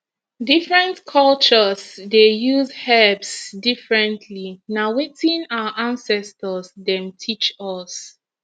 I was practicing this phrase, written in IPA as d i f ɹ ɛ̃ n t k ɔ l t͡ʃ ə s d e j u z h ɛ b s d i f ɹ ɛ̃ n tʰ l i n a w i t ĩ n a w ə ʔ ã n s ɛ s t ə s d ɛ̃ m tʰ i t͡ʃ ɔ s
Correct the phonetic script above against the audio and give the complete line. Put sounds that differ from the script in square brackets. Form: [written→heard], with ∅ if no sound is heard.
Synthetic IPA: d i f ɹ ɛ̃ n t [k→kʰ] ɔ l t͡ʃ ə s d e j u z h ɛ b s d i f ɹ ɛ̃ n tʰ l i n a w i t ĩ n a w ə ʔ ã n s ɛ s t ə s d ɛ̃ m tʰ i t͡ʃ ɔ s